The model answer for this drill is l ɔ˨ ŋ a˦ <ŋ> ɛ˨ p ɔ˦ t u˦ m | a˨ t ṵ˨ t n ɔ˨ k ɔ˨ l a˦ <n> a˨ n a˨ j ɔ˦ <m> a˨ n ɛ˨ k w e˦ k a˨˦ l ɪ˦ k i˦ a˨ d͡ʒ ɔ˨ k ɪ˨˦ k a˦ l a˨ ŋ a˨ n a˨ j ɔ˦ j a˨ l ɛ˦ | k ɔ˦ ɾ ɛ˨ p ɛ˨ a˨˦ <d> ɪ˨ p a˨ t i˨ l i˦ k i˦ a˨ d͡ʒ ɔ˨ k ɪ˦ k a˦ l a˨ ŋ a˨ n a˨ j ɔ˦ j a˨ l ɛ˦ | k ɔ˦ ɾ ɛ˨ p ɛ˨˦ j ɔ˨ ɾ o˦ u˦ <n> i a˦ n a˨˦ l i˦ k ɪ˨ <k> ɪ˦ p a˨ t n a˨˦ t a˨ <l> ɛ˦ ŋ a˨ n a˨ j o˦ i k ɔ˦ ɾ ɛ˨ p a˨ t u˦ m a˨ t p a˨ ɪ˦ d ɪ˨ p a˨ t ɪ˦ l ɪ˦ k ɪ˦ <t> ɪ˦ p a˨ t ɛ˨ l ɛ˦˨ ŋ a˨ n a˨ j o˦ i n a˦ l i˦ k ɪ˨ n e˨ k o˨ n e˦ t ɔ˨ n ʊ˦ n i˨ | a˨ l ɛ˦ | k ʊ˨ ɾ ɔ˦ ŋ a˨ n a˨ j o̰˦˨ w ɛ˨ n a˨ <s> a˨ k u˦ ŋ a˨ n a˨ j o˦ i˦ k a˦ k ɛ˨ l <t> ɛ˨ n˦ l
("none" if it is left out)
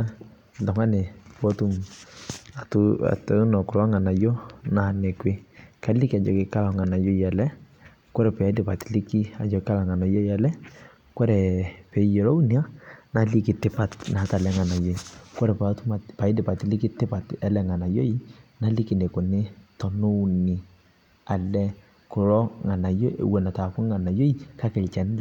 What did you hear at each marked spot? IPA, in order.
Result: n, ŋ, n, d, n, t, l, t, t, t͡ʃ

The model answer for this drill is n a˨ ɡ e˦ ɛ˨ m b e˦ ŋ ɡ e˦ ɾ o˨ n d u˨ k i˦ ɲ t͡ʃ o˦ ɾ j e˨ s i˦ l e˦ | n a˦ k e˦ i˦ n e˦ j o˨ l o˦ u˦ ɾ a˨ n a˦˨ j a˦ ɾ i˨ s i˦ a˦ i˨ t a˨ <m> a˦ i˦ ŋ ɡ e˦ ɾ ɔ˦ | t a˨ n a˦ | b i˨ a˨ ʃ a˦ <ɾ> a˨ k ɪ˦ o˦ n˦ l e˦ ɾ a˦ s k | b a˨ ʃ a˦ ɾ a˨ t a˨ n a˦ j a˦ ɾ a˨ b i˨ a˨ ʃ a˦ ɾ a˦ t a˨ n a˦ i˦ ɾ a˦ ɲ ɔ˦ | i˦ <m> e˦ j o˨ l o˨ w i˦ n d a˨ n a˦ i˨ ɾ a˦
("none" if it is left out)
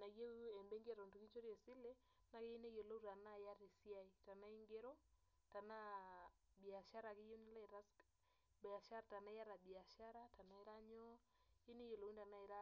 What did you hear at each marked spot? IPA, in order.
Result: n, ɾ, n

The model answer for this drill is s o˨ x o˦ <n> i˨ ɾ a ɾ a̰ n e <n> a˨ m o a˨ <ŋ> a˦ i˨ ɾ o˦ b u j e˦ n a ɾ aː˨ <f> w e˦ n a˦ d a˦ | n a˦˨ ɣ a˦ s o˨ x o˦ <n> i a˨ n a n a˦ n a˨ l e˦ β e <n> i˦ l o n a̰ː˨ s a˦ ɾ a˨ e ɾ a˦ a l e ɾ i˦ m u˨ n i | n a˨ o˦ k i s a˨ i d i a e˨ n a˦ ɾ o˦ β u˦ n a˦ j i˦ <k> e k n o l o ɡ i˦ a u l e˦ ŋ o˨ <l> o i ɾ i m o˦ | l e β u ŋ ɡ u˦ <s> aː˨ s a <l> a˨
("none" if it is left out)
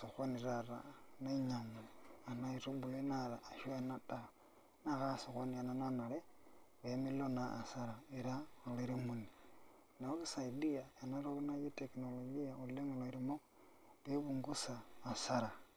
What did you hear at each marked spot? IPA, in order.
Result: n, ɲ, n, ʃ, n, m, t, l, s, ɾ

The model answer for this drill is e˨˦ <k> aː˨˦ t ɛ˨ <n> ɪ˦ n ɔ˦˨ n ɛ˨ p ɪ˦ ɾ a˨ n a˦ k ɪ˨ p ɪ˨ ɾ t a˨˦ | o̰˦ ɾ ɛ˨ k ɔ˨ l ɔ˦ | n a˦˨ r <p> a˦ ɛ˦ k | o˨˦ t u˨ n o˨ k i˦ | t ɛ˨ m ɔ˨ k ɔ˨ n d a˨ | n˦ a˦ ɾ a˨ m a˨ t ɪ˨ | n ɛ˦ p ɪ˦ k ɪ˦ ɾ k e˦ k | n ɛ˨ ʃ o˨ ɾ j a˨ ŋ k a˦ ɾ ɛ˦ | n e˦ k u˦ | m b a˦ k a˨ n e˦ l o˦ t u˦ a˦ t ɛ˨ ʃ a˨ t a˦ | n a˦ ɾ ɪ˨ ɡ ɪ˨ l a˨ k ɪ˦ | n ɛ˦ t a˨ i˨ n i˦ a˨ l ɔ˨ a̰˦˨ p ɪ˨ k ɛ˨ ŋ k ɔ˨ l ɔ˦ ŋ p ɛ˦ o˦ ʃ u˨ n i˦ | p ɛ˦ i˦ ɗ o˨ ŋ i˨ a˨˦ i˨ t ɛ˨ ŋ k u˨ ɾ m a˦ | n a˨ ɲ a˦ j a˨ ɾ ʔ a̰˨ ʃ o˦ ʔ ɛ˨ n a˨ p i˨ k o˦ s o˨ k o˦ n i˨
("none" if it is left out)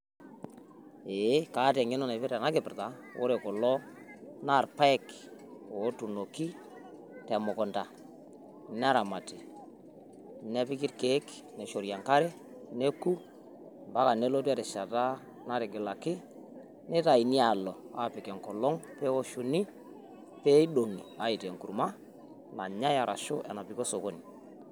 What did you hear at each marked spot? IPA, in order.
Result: k, ŋ, p

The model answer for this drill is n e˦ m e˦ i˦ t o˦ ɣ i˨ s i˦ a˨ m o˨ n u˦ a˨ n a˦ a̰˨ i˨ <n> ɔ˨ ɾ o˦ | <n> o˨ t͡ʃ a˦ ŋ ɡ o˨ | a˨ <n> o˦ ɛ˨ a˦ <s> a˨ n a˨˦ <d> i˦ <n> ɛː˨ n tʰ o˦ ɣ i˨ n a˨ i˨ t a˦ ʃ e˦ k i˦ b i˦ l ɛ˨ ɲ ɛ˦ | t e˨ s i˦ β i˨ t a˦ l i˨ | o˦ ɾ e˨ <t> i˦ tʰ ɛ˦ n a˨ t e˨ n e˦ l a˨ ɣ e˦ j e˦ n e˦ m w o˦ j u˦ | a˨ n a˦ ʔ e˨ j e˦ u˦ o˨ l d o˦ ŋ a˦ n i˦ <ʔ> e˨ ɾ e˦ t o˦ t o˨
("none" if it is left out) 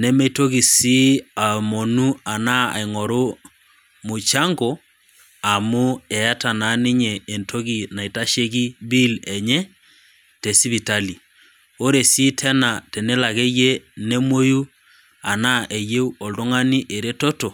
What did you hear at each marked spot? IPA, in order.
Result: ŋ, m, m, t, n, ɲ, s, ʔ

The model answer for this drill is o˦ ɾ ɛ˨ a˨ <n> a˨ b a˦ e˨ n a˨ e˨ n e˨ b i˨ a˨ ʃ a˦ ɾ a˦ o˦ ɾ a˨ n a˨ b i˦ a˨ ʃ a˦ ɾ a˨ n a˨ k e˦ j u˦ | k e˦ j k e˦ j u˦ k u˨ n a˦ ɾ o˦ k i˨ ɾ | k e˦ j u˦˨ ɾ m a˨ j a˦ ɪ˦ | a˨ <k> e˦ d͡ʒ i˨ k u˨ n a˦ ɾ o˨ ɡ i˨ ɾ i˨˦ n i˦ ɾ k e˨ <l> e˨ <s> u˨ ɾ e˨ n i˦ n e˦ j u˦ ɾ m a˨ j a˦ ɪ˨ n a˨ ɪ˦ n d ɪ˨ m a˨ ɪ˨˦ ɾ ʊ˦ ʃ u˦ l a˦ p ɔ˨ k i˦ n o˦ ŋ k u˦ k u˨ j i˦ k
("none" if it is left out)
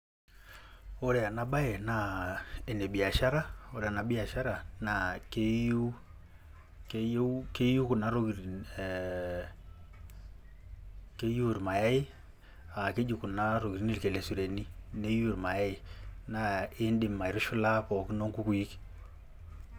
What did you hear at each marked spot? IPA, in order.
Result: n, k, l, s

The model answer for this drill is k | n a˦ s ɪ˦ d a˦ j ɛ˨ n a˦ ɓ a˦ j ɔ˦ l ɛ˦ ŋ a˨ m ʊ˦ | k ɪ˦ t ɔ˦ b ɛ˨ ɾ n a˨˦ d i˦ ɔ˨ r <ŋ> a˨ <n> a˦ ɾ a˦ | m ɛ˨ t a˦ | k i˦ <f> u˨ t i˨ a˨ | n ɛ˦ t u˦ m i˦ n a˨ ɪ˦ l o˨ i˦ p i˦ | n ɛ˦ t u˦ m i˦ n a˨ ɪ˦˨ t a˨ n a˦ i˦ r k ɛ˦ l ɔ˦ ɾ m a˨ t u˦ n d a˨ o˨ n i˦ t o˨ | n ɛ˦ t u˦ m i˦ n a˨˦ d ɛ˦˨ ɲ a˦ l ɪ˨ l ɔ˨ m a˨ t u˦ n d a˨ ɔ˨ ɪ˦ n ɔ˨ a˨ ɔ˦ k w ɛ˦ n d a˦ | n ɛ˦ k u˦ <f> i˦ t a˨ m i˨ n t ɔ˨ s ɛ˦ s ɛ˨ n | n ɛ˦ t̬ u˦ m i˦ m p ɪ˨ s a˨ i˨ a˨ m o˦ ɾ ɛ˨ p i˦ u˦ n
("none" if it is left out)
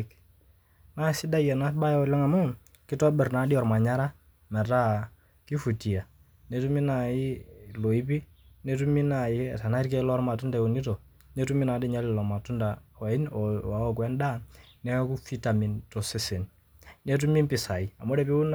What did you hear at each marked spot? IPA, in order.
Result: m, ɲ, f, f

